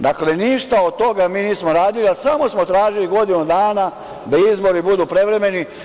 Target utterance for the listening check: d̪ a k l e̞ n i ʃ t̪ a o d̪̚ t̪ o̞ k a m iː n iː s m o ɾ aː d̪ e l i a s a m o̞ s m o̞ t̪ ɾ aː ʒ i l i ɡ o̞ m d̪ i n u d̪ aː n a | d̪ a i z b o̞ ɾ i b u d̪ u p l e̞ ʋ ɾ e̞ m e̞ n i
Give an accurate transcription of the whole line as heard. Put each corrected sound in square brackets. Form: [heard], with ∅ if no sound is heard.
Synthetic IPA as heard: d̪ a k l e̞ n i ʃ t̪ a o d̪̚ t̪ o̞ [ɡ] a m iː n iː s m o ɾ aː d̪ [i] l i a s a m o̞ s m o̞ t̪ ɾ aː ʒ i l i ɡ o̞ [∅] d̪ i n u d̪ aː n a | d̪ a i z b o̞ ɾ i b u d̪ u p [ɾ] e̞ ʋ ɾ e̞ m e̞ n i